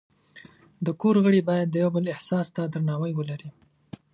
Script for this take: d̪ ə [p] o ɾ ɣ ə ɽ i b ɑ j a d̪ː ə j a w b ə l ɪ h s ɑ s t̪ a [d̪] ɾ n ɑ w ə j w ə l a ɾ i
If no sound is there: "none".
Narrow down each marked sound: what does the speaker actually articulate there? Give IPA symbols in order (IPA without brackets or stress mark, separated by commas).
k, d̪